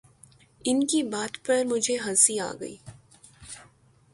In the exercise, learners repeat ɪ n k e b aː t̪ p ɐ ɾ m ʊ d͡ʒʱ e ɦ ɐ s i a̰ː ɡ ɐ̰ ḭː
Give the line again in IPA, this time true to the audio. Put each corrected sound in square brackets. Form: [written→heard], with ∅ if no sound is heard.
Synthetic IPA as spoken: ɪ n k [e→i] b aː t̪ p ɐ ɾ m ʊ d͡ʒʱ e ɦ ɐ s i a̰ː ɡ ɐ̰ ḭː